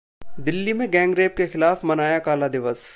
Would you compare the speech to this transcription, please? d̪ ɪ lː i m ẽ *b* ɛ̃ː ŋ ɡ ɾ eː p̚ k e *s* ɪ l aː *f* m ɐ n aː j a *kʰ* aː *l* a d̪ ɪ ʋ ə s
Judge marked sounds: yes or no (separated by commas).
no, no, yes, no, yes